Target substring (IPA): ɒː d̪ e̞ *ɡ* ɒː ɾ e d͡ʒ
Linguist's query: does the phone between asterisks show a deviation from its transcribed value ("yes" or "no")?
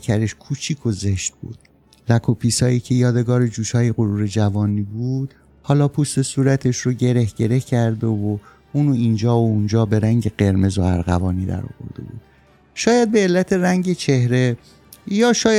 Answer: no